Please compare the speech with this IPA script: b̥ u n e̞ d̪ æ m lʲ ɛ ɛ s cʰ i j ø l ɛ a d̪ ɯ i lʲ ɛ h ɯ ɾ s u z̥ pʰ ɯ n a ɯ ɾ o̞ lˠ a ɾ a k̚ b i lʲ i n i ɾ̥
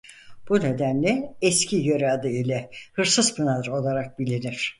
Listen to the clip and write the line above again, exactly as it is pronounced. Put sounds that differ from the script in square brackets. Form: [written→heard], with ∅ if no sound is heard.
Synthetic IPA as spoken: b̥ u n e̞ d̪ æ [m→n] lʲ ɛ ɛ s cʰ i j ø [l→ɾ] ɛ a d̪ ɯ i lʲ ɛ h ɯ ɾ s [u→ɯ] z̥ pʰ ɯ n a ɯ ɾ o̞ lˠ a ɾ a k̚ b i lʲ i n i ɾ̥